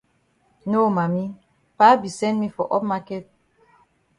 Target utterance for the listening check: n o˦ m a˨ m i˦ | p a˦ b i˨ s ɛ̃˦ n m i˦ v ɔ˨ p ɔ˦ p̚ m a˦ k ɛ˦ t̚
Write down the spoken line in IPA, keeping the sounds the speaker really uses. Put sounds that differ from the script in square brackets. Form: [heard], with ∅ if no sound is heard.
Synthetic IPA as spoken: n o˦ m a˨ m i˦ | p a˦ b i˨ s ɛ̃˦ n m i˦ [f] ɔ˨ [ʔ] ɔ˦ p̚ m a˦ k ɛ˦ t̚